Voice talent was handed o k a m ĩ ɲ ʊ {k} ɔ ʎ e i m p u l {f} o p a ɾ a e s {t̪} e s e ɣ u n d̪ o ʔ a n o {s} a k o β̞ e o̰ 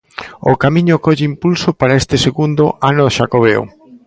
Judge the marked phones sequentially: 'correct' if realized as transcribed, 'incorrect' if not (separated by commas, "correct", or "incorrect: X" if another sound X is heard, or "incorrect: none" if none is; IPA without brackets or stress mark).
correct, incorrect: s, correct, incorrect: ʃ